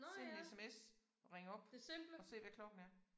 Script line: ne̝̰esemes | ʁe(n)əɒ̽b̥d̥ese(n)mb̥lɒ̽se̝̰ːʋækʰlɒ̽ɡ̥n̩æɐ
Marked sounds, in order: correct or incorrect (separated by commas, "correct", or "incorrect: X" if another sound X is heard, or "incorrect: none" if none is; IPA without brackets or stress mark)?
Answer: incorrect: ŋ, incorrect: none